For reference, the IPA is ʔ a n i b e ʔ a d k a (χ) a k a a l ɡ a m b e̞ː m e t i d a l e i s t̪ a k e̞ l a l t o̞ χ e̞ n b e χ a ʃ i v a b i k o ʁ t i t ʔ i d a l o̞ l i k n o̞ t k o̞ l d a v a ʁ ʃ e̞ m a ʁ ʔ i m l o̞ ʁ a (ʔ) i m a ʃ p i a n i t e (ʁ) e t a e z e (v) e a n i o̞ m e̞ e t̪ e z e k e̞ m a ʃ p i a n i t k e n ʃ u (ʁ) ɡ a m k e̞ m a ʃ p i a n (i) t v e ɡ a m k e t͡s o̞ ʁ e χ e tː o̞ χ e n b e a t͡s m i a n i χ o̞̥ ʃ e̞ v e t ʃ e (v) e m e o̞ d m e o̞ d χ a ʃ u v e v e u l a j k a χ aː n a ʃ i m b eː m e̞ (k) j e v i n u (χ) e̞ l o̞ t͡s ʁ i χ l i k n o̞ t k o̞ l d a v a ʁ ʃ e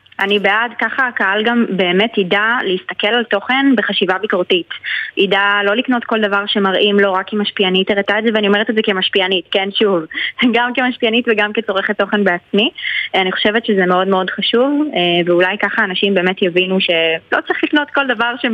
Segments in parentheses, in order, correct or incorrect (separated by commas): correct, incorrect, correct, correct, incorrect, correct, incorrect, incorrect, incorrect